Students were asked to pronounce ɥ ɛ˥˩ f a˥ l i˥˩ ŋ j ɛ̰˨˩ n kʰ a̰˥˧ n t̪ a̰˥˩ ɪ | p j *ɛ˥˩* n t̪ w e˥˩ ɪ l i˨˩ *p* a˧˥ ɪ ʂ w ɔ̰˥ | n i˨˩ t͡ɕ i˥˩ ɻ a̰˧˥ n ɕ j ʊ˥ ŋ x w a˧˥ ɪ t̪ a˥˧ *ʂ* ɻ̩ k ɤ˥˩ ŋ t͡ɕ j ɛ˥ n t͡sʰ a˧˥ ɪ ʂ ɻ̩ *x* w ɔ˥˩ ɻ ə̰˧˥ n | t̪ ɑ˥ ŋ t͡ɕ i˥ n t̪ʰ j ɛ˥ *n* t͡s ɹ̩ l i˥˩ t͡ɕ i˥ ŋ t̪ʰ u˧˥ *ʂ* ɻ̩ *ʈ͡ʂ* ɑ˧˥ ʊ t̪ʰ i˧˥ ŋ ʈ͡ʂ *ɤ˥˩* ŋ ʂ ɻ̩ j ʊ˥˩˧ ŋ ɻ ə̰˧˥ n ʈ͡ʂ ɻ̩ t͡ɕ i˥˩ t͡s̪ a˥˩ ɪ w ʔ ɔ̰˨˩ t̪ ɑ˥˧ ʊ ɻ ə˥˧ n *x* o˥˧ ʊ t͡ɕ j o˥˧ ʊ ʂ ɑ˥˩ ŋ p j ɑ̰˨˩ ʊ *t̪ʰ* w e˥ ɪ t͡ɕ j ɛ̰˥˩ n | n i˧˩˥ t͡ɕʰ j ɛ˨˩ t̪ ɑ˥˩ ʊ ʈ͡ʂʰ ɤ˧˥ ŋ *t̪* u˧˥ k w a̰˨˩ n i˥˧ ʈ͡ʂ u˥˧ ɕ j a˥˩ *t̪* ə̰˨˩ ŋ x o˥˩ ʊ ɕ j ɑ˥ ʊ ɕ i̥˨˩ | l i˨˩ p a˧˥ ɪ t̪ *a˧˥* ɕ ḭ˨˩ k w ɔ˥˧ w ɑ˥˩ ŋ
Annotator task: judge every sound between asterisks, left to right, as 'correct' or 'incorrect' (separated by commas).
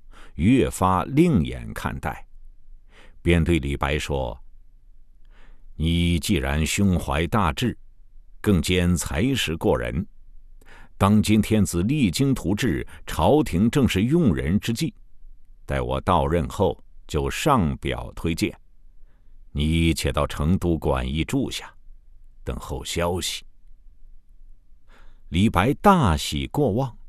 incorrect, correct, incorrect, incorrect, correct, incorrect, incorrect, incorrect, correct, correct, correct, correct, incorrect